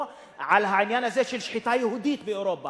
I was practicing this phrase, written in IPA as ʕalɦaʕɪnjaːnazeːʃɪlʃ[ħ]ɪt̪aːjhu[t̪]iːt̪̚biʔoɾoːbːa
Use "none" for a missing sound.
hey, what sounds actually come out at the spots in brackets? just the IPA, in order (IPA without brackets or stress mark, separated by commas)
ħ, d̪